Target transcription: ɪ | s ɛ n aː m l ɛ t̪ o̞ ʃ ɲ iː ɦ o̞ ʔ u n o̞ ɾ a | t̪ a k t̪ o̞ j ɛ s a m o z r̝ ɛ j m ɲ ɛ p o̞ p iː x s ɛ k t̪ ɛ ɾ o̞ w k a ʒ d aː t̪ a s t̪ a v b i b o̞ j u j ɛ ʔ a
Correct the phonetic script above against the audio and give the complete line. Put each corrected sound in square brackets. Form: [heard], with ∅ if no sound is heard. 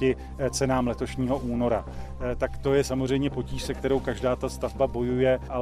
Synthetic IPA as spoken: ɪ | [t͡s] ɛ n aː m l ɛ t̪ o̞ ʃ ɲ iː ɦ o̞ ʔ [uː] n o̞ ɾ a | t̪ a k t̪ o̞ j ɛ s a m o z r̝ ɛ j m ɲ ɛ p o̞ [c] iː [ʃ] s ɛ k t̪ ɛ ɾ o̞ w k a ʒ d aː t̪ a s t̪ a v b [a] b o̞ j u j ɛ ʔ a